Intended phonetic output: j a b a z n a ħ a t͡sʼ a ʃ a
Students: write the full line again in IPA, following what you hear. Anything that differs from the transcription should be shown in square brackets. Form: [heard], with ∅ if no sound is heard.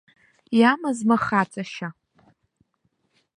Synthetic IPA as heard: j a [m] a z [m] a [χ] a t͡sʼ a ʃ a